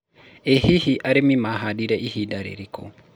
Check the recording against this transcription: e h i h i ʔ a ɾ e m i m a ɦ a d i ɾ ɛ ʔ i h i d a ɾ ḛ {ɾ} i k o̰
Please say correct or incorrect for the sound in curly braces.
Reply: correct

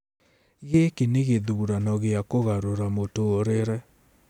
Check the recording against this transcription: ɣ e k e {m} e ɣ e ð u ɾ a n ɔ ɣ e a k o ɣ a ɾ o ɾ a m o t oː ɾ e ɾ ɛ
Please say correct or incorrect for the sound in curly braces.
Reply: incorrect: n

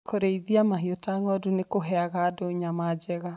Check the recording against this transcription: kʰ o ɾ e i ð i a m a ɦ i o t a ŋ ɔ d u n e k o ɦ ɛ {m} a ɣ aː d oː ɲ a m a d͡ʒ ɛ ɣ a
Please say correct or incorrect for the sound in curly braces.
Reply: incorrect: none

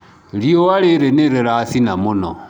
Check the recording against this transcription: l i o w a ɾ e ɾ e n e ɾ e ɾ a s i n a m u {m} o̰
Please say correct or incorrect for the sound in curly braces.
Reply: incorrect: n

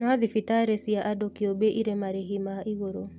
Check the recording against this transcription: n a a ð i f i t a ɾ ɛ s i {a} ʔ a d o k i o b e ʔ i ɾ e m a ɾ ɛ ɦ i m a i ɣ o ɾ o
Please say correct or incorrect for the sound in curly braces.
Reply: correct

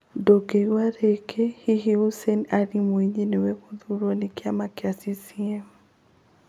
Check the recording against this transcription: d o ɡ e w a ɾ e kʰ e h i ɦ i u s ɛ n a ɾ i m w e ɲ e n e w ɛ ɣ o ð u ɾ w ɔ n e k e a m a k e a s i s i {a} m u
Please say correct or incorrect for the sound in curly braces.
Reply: incorrect: ɛ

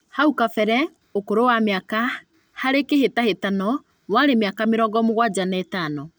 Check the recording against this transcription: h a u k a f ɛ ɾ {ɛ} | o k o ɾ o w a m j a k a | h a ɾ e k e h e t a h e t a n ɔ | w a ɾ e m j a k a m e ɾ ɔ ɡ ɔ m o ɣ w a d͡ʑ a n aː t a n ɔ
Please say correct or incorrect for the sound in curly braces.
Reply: correct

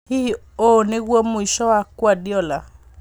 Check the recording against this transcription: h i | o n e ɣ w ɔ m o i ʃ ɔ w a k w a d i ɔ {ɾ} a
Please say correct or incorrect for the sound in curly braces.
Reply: incorrect: l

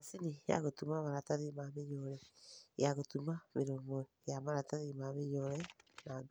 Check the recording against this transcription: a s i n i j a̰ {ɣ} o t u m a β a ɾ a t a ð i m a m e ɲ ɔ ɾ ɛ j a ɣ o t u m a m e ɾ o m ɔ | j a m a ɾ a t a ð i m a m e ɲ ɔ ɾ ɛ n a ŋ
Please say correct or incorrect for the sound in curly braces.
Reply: correct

